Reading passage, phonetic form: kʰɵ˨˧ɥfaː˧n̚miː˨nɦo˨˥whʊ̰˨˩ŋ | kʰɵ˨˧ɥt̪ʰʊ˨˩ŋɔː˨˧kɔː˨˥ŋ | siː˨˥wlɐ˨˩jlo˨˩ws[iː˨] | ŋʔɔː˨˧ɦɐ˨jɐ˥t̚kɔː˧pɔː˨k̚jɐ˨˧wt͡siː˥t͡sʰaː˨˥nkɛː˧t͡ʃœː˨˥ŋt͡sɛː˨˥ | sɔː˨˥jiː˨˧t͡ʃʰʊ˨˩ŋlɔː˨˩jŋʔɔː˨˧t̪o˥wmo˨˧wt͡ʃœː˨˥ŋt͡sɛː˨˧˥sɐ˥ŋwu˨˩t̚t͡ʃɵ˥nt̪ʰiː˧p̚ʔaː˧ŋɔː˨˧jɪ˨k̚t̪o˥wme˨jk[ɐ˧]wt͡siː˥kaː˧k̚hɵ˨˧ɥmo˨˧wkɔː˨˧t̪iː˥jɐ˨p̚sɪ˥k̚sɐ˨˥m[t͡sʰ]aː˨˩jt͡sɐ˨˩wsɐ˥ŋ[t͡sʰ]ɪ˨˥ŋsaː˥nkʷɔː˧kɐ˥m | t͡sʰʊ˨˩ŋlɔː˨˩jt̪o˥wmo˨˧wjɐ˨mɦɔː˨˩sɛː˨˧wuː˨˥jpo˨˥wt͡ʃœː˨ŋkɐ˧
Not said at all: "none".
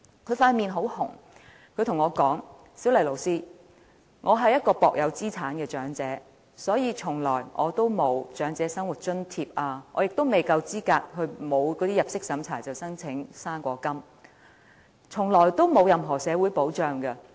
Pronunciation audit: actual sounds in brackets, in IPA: iː˥, ɐ˧, t͡sʰ, t͡sʰ

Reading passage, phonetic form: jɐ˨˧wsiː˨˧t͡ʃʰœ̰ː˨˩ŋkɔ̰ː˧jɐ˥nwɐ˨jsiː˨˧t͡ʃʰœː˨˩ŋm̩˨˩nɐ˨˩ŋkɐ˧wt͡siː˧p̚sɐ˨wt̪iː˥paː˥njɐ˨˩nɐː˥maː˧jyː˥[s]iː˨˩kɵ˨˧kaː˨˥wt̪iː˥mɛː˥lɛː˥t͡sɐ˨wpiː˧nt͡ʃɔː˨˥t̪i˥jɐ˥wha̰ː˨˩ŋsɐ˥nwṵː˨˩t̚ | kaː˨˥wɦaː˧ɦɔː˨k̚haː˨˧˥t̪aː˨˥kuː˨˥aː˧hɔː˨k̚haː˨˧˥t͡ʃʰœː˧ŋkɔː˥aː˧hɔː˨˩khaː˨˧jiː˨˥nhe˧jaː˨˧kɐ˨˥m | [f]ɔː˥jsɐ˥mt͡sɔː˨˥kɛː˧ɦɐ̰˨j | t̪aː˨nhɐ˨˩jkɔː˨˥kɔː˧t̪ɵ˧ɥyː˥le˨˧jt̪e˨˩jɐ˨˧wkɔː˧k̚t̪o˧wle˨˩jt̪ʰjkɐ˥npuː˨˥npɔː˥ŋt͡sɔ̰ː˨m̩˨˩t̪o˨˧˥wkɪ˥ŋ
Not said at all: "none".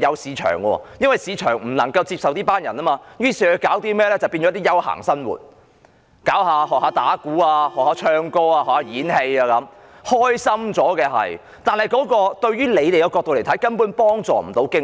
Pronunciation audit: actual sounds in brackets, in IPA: s, h

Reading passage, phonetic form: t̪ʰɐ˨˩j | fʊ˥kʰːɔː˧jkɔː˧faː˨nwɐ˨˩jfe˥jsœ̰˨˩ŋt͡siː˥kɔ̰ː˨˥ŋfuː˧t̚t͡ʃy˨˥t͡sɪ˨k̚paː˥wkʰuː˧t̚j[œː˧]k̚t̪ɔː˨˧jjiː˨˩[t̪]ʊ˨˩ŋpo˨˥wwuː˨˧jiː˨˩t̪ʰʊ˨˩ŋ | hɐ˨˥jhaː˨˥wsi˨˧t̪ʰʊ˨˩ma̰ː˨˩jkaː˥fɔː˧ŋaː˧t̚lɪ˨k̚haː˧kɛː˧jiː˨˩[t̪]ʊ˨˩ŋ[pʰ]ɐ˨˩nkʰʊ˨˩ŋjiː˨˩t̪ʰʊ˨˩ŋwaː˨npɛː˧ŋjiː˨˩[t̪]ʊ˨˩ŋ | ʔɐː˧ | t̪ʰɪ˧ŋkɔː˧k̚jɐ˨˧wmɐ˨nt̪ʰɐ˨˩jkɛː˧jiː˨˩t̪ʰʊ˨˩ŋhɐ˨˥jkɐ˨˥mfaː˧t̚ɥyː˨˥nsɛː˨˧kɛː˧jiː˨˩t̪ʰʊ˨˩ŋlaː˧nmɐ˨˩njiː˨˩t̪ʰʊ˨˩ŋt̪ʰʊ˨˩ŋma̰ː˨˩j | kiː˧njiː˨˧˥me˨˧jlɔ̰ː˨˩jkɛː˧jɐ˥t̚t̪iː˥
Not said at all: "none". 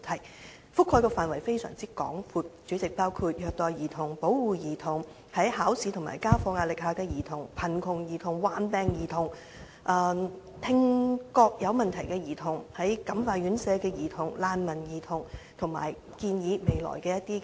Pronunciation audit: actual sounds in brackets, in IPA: œː˧, t̪ʰ, t̪ʰ, pʰ, t̪ʰ

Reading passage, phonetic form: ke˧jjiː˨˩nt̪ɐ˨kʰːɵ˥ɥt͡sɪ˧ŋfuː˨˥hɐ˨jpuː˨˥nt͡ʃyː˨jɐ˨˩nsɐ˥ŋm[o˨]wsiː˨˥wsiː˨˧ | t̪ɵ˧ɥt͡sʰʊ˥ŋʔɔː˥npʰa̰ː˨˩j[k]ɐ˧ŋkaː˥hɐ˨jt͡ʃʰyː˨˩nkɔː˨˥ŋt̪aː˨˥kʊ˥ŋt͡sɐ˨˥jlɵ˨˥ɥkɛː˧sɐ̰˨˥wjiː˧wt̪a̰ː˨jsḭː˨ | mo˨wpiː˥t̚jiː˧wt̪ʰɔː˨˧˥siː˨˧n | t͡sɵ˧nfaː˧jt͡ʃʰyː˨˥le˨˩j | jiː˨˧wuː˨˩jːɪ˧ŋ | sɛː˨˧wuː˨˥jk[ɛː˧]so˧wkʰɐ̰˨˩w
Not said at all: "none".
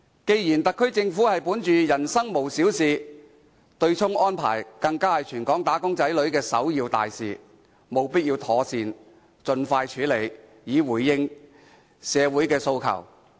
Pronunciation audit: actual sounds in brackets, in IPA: o˨, k, ɛː˧

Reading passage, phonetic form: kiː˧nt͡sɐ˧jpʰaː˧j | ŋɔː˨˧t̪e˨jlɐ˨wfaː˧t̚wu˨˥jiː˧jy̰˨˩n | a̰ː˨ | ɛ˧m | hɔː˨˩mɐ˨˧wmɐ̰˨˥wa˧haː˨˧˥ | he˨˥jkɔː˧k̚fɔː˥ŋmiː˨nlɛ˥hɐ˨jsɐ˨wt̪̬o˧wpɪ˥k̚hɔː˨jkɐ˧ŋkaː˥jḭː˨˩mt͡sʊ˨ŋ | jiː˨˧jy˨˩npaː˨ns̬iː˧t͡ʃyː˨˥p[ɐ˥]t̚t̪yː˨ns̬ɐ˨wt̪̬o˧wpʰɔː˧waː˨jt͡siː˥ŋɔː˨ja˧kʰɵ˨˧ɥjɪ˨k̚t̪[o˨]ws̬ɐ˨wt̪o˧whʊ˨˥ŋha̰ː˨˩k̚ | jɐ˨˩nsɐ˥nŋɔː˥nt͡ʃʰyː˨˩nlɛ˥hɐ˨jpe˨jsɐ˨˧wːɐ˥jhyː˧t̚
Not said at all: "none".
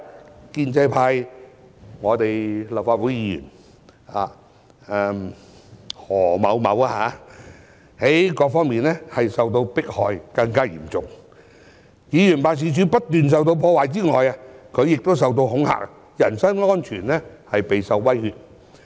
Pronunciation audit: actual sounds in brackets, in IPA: ɐ˥, o˥

